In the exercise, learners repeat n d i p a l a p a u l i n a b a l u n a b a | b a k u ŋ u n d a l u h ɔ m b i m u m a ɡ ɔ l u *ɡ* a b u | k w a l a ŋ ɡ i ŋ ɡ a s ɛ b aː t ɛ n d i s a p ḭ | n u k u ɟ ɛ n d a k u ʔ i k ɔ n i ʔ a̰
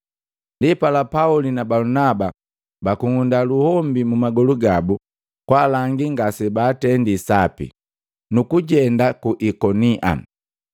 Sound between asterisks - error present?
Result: no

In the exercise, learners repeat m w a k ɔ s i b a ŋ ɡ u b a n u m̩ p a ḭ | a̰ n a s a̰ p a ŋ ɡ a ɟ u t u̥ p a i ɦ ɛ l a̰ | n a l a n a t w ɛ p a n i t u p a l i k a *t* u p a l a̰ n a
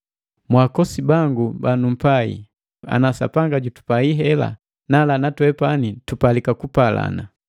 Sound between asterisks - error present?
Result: yes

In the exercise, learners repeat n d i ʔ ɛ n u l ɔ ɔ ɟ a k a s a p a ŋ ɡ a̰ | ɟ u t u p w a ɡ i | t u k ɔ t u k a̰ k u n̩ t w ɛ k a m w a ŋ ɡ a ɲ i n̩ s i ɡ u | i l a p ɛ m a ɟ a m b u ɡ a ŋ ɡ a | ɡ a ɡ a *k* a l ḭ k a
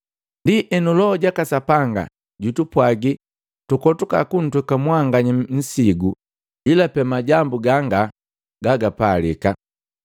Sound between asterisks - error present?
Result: yes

